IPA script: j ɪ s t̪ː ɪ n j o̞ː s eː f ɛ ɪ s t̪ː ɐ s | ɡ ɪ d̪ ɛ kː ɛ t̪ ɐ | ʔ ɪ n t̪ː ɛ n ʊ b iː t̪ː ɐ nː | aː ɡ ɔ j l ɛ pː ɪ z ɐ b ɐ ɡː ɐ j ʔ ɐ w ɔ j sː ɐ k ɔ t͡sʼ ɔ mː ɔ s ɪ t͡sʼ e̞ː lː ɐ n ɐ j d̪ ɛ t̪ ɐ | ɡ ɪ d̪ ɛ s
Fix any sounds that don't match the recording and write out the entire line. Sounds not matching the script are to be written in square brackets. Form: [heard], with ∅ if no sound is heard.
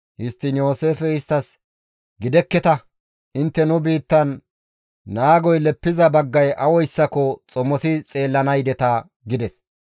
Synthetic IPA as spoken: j ɪ s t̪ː ɪ n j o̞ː s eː f ɛ ɪ s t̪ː ɐ s | ɡ ɪ d̪ ɛ kː ɛ t̪ ɐ | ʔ ɪ n t̪ː ɛ n ʊ b iː t̪ː ɐ nː | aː ɡ ɔ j l ɛ pː ɪ z ɐ b ɐ ɡː ɐ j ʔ ɐ w ɔ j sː ɐ k ɔ t͡sʼ ɔ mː ɔ s ɪ t͡sʼ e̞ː lː ɐ n ɐ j d̪ ɛ t̪ ɐ | ɡ ɪ d̪ ɛ s